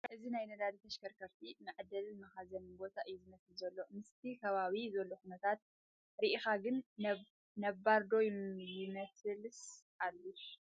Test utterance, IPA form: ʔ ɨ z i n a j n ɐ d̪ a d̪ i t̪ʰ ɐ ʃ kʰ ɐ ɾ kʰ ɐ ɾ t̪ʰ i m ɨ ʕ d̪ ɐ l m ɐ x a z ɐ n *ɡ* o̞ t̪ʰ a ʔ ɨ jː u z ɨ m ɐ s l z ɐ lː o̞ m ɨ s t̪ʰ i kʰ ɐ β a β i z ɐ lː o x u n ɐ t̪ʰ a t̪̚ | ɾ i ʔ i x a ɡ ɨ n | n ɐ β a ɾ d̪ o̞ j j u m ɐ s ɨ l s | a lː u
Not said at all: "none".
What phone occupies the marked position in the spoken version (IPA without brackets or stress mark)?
b